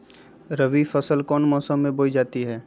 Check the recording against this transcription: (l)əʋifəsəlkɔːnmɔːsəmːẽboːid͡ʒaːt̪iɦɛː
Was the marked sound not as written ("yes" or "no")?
yes